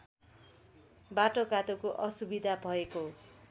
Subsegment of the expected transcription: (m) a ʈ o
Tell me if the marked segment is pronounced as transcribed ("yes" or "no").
no